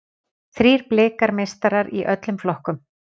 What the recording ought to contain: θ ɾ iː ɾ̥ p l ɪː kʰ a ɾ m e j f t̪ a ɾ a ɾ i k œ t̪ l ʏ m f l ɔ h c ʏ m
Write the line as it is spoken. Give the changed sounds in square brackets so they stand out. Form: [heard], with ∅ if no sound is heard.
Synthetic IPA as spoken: θ ɾ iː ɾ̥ p l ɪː [k] a ɾ m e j [s] t̪ a ɾ a ɾ i [ʔ] œ t̪ l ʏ m f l ɔ h [k] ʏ m